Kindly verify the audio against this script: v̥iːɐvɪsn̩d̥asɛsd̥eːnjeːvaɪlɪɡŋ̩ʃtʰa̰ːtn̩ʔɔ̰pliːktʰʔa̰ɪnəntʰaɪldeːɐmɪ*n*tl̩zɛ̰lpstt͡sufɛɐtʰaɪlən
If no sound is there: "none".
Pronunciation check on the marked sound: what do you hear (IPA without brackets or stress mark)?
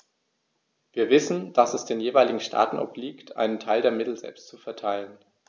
none